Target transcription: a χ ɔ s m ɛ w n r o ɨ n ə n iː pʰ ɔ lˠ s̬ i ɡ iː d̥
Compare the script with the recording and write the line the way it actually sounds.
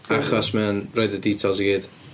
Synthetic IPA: a χ ɔ s m ɛ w n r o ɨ d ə d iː tʰ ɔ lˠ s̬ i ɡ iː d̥

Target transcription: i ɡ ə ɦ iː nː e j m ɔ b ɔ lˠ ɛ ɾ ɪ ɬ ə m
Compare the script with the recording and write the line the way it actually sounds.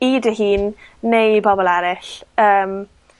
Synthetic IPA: i d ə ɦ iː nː e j b ɔ b ɔ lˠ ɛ ɾ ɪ ɬ əː m

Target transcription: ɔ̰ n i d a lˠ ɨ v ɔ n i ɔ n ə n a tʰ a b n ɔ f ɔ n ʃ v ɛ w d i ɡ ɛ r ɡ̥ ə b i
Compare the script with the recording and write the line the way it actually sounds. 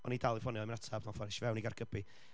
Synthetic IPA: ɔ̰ n i d a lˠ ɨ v ɔ n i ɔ m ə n a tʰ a b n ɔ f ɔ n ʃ v ɛ w n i ɡ a r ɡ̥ ə b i

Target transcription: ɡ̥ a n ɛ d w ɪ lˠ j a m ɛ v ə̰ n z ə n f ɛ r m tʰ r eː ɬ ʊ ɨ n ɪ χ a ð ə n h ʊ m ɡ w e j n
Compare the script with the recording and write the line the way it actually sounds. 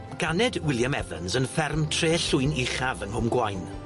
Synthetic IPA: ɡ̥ a n ɛ d w ɪ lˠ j a m ɛ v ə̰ n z ə n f ɛ r m tʰ r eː ɬ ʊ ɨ n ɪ χ a v ə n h ʊ m ɡ w a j n

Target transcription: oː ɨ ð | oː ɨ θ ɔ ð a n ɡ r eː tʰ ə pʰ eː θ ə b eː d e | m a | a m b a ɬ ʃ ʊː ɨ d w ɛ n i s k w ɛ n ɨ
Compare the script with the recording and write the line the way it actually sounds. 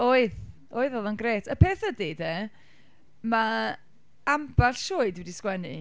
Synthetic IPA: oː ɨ ð | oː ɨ ð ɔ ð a n ɡ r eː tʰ ə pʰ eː θ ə d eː d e | m a | a m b a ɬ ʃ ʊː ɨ d w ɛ d i s k w ɛ n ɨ

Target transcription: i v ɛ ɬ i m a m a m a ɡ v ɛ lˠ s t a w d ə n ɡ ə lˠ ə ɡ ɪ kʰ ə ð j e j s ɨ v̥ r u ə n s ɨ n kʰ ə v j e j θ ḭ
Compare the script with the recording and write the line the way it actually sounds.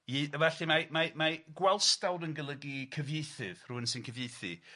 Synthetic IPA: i v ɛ ɬ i m a m a m a ɡ w ɛ lˠ s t a w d ə n ɡ ə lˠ ə ɡ i kʰ ə v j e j θ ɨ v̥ r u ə n s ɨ n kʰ ə v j e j θ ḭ

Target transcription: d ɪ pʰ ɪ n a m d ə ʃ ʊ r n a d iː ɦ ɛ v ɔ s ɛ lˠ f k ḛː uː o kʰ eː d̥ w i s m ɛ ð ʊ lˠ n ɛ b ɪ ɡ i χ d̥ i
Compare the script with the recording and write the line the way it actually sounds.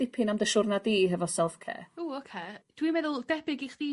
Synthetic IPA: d ɪ pʰ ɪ n a m d ə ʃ ʊ r n a d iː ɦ ɛ v ɔ s ɛ lˠ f kʰ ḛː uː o kʰ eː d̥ w i m ɛ ð ʊ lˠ d ɛ b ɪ ɡ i χ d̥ i

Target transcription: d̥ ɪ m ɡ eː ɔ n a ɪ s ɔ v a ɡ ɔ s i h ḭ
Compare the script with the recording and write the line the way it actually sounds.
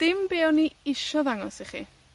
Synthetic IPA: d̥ ɪ m b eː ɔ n i ɪ ʃ ɔ ð a ŋ ɔ s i χ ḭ

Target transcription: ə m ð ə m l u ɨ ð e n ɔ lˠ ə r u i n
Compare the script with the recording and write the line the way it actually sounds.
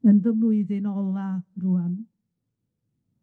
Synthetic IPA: ə n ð ə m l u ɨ ð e n ɔ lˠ a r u a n

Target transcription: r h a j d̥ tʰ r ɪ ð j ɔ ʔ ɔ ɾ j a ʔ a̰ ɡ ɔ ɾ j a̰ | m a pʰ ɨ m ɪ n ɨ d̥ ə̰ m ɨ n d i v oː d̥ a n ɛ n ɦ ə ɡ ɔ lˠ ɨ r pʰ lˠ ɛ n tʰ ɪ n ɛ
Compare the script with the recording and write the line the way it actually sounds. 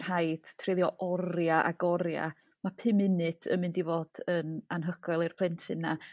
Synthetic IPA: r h a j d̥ tʰ r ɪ ð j ɔ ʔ ɔ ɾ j a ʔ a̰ ɡ ɔ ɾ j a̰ | m a pʰ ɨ m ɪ n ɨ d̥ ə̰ m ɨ n d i v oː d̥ ə n a n ɦ ə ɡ ɔ lˠ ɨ r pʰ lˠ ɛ n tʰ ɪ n a

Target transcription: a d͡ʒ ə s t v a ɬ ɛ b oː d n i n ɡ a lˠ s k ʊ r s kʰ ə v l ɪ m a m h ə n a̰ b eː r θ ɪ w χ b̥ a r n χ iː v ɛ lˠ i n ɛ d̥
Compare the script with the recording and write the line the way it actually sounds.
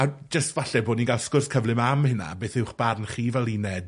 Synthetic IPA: a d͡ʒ ə s t v a ɬ ɛ b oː d n i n ɡ a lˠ s k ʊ r s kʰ ə v l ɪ m a m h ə n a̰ b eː θ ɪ w χ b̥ a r n χ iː v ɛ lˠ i n ɛ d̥

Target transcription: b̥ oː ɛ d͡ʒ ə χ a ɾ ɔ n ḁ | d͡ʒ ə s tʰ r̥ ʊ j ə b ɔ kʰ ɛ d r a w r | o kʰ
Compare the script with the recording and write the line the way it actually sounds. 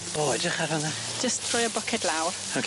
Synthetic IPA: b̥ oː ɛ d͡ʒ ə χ a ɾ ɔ n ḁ | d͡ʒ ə s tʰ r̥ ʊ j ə b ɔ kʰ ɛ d l a w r | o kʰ

